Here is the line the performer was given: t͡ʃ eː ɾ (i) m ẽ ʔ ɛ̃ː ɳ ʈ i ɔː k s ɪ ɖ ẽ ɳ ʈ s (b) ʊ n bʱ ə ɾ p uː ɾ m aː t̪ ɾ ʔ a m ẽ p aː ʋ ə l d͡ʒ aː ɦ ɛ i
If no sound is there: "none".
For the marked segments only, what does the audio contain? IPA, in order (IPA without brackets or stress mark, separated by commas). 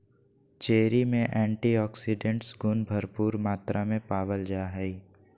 i, ɡ